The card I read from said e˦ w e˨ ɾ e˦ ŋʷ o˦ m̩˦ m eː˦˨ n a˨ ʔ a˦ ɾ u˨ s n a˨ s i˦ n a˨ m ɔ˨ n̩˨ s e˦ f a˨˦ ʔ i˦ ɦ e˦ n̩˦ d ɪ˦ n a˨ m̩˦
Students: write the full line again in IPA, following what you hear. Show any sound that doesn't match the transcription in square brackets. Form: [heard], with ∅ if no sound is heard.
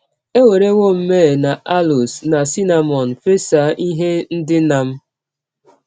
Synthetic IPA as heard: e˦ w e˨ ɾ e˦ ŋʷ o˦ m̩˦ m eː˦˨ n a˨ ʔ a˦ [l] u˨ s n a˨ s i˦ n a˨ m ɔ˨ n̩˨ [f] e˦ [s] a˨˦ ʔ i˦ ɦ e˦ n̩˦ d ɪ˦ n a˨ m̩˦

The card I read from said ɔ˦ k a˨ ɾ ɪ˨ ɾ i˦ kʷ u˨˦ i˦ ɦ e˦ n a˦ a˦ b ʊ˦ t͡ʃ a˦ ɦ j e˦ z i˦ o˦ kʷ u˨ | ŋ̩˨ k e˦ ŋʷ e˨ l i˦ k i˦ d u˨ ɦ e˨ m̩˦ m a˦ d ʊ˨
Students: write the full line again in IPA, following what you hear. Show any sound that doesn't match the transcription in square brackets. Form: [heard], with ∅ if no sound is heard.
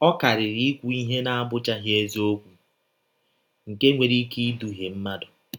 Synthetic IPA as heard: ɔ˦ k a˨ ɾ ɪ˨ ɾ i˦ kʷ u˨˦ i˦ ɦ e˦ n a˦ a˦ b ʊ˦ t͡ʃ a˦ ɦ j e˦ z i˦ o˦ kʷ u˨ | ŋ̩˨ k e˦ ŋʷ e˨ [ɾ] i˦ k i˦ d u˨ ɦ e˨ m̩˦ m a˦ d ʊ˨

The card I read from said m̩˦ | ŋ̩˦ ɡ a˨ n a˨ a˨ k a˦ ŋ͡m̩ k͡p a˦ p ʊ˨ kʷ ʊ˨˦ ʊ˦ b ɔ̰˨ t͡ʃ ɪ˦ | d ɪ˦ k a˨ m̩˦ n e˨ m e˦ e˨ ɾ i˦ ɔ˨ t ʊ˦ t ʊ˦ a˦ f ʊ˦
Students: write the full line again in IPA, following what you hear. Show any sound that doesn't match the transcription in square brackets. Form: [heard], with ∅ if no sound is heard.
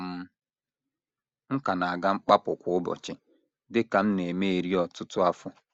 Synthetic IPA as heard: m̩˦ | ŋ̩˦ [k] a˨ n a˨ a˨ [ɡ] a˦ ŋ͡m̩ k͡p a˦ p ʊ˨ kʷ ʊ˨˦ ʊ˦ b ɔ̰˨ t͡ʃ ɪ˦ | d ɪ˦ k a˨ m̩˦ n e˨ m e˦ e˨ ɾ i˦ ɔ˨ t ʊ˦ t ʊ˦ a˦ f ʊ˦

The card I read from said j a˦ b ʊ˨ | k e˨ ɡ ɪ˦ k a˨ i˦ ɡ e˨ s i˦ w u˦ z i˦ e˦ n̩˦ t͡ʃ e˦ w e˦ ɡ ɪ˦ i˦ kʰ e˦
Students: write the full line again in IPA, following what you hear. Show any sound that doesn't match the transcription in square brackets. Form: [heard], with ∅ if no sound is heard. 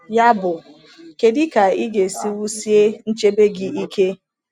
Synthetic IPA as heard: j a˦ b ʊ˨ | k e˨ [d] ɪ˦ k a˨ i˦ ɡ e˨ s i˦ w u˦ [s] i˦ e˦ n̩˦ t͡ʃ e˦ [b] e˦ ɡ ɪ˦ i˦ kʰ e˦

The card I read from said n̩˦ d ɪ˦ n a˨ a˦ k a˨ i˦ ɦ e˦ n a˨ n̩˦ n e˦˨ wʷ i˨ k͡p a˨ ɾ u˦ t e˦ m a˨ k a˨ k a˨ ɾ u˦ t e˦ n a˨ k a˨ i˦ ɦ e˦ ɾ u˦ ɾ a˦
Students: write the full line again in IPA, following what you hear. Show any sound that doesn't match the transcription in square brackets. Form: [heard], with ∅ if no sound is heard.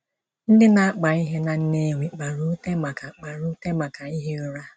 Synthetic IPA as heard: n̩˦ d ɪ˦ n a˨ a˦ [k͡p] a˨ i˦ ɦ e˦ n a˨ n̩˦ n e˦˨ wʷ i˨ k͡p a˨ ɾ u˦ t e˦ m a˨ k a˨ [k͡p] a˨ ɾ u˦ t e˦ [m] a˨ k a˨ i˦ ɦ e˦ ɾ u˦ ɾ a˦

